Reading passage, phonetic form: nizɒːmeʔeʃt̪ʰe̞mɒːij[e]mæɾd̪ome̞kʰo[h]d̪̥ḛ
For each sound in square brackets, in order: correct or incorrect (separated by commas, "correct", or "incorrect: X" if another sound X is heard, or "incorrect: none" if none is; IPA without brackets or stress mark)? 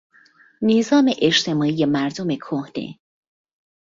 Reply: correct, correct